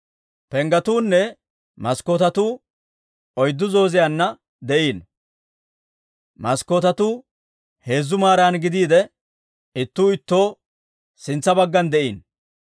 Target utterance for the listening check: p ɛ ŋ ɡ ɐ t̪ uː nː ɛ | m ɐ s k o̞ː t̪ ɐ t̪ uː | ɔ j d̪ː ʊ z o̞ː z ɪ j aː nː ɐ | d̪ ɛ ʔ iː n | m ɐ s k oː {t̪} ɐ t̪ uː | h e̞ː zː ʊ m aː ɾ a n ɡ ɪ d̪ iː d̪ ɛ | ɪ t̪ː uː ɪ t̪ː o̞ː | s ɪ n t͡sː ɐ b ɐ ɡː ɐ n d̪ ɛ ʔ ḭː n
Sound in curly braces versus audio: correct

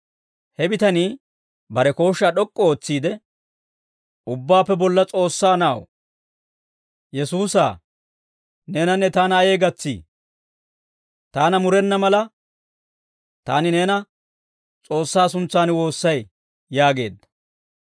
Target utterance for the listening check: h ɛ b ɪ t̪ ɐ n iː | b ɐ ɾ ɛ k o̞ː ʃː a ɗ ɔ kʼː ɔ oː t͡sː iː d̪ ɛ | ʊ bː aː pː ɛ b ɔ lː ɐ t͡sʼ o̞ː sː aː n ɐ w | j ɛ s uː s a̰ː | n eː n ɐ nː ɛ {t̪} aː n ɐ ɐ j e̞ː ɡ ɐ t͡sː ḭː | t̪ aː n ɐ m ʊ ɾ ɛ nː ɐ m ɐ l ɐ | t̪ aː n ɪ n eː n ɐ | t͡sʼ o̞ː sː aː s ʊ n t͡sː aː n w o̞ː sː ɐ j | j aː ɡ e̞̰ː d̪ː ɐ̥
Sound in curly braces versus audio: correct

